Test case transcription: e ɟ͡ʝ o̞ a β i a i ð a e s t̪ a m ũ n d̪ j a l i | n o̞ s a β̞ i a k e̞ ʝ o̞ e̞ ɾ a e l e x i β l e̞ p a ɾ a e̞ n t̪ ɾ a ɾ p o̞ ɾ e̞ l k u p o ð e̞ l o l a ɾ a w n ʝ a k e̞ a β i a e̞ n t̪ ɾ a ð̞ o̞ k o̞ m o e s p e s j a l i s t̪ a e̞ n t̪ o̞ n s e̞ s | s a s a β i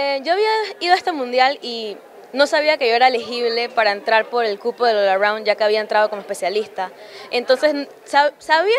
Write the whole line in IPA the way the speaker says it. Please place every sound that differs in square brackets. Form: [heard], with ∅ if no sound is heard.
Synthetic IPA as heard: e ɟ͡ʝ o̞ a β i a i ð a e s t̪ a m ũ n d̪ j a l i | n o̞ s a β̞ i a k e̞ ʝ o̞ e̞ ɾ a e l e x i β l e̞ p a ɾ a e̞ n t̪ ɾ a ɾ p o̞ ɾ e̞ l k u p o ð e̞ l o l a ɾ a w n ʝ a k e̞ a β i a e̞ n t̪ ɾ a ð̞ o̞ k o̞ m o e s p e s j a l i s t̪ a e̞ n t̪ o̞ n s e̞ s | s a s a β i